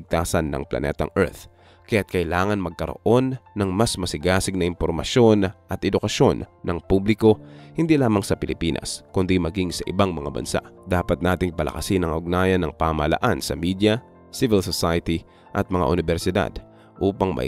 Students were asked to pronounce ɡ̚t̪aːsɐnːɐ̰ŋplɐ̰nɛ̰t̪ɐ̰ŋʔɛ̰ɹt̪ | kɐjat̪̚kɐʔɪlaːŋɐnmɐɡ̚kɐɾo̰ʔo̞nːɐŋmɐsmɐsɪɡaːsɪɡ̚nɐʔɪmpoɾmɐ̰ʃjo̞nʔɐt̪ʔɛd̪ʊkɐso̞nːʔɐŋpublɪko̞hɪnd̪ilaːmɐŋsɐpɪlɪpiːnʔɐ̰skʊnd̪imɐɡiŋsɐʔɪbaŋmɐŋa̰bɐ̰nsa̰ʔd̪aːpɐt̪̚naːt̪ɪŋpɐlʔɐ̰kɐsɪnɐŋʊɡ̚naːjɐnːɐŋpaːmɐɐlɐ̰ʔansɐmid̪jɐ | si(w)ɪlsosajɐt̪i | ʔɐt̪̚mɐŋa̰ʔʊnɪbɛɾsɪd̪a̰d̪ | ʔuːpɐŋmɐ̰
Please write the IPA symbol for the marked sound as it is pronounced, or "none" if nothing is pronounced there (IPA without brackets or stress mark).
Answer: v